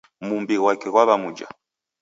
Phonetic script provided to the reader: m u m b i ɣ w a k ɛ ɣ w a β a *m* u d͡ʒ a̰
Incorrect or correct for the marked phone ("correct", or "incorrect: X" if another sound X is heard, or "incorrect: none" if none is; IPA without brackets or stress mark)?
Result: correct